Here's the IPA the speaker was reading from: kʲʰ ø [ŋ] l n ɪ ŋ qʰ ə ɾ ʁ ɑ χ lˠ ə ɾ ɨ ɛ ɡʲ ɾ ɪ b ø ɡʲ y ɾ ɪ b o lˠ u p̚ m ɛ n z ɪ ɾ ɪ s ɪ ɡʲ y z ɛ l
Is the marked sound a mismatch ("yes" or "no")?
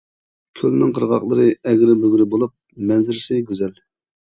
yes